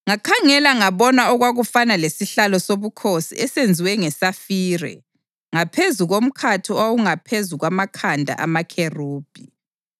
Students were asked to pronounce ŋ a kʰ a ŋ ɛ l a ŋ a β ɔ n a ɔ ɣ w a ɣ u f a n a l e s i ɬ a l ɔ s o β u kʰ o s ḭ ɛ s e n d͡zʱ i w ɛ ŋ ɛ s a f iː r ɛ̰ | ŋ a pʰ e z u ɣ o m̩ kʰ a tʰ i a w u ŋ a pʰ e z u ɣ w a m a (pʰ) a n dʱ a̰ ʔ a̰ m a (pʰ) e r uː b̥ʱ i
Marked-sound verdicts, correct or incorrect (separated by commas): incorrect, incorrect